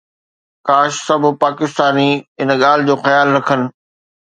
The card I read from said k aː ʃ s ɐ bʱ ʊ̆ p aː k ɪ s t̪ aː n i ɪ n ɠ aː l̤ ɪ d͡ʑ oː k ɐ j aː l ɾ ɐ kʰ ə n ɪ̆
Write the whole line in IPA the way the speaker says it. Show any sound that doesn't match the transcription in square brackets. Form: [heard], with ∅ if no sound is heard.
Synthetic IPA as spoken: k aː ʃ s ɐ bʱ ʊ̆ p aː k ɪ s t̪ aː n i ɪ n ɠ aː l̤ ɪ d͡ʑ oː [x] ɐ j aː l ɾ ɐ kʰ ə n ɪ̆